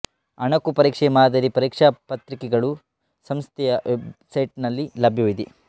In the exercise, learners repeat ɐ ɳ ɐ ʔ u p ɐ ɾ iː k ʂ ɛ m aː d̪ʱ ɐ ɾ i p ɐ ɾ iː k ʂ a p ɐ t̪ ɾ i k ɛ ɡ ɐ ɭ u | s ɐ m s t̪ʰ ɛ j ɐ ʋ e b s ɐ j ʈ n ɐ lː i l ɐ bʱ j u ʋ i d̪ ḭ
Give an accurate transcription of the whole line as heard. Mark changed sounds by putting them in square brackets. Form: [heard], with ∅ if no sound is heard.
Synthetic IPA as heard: ɐ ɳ ɐ [k] u p ɐ ɾ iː k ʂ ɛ m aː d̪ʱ ɐ ɾ i p ɐ ɾ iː k ʂ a p ɐ t̪ ɾ i k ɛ ɡ ɐ ɭ u | s ɐ m s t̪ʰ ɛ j ɐ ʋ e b s ɐ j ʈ n ɐ lː i l ɐ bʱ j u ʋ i d̪ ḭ

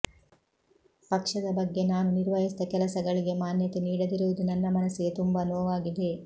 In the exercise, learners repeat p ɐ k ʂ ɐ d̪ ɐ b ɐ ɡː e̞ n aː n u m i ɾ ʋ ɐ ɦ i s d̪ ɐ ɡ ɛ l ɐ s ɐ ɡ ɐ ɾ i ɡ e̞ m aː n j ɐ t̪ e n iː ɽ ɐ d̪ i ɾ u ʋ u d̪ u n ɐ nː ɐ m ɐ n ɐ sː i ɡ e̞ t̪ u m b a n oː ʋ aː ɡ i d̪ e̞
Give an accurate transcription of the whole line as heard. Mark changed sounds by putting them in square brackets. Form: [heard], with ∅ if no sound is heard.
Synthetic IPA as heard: p ɐ k ʂ ɐ d̪ ɐ b ɐ ɡː e̞ n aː n u [n] i ɾ ʋ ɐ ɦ i s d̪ ɐ [k] ɛ l ɐ s ɐ ɡ ɐ [ɭ] i ɡ e̞ m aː n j ɐ t̪ e n iː ɽ ɐ d̪ i ɾ u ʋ u d̪ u n ɐ nː ɐ m ɐ n ɐ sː i ɡ e̞ t̪ u m b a n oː ʋ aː ɡ i d̪ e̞

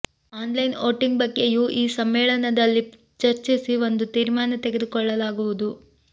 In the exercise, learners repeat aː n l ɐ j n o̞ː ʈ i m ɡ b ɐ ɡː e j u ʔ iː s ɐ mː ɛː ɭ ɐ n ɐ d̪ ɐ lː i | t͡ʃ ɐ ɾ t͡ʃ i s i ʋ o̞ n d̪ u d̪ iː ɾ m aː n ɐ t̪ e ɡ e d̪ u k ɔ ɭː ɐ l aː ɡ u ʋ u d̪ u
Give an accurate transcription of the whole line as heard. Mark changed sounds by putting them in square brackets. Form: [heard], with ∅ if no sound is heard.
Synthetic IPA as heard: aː n l ɐ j n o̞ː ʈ i [ŋ] ɡ b ɐ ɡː e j u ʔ iː s ɐ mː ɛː ɭ ɐ n ɐ d̪ ɐ lː i | t͡ʃ ɐ ɾ t͡ʃ i s i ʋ o̞ n d̪ u [t̪] iː ɾ m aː n ɐ t̪ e ɡ e d̪ u k ɔ ɭː ɐ l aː ɡ u ʋ u d̪ u

